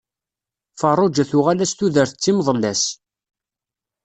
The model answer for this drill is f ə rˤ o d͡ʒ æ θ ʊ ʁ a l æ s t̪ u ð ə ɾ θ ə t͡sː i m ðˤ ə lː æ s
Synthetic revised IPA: f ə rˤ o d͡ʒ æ θ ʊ ʁ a l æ s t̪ u ð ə ɾ θ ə t͡sː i m ðˤ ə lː æ s